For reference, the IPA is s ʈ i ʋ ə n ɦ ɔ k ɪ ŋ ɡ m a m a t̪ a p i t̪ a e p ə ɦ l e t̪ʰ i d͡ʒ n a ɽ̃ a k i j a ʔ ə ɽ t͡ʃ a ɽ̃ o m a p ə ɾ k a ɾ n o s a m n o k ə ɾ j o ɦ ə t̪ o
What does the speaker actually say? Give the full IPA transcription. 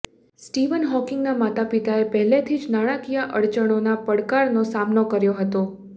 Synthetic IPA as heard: s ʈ i ʋ ə n ɦ ɔ k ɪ ŋ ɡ n a m a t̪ a p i t̪ a e p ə ɦ l e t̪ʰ i d͡ʒ n a ɽ̃ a k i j a ʔ ə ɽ t͡ʃ ə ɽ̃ o n a p ə ɽ k a ɾ n o s a m n o k ə ɾ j o ɦ ə t̪ o